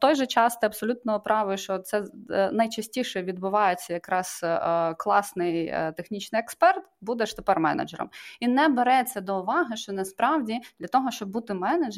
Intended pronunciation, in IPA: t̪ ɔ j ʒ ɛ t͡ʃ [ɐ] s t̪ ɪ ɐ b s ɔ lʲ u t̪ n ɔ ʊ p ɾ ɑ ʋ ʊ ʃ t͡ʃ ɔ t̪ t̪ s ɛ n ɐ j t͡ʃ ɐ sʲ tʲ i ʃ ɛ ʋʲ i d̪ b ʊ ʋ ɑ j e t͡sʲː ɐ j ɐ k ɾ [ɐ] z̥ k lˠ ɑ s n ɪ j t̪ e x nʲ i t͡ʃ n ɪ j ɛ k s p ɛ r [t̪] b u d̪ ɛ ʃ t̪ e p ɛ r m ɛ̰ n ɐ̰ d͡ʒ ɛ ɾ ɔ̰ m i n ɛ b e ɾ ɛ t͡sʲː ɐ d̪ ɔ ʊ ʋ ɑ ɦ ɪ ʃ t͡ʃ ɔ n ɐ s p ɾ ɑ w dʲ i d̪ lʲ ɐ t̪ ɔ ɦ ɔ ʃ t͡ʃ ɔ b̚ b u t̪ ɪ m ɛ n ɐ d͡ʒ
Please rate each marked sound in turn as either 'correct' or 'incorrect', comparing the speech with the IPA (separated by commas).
incorrect, incorrect, correct